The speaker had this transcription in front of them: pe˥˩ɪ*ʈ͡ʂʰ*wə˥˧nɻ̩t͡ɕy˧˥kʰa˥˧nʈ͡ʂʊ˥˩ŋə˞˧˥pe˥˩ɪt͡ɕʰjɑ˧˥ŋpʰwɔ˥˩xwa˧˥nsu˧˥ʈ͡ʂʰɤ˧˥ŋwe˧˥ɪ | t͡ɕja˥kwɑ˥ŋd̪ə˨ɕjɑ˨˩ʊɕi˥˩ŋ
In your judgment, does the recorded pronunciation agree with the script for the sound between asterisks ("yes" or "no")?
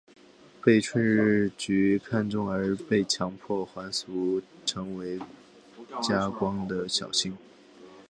yes